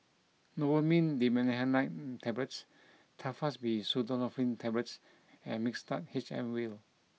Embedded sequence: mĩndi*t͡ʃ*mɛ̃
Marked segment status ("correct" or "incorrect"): incorrect